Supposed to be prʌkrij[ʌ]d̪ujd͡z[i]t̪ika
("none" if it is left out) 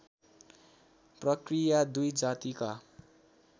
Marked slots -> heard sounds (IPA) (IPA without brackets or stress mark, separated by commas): a, a